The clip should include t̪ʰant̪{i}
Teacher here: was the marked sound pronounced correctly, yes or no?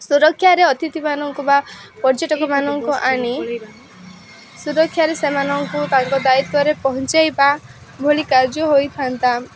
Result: no